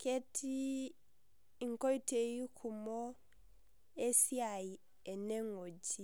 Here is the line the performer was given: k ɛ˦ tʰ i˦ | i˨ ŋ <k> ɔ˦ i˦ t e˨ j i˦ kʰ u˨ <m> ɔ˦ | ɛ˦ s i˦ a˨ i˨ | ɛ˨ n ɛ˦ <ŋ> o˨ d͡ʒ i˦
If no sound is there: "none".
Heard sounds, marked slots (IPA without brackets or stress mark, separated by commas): k, m, ŋ